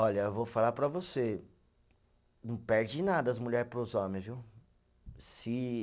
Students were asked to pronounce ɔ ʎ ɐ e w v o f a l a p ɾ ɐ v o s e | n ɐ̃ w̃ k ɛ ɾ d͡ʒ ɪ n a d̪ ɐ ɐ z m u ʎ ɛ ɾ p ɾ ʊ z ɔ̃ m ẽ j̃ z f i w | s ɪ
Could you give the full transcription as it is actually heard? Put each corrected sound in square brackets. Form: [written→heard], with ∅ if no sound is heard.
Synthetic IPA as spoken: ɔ ʎ ɐ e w v o f a l a p ɾ ɐ v o s e | n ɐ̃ w̃ [k→p] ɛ ɾ d͡ʒ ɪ n a d̪ ɐ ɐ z m u ʎ ɛ ɾ p ɾ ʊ z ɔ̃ m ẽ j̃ z [f→v] i w | s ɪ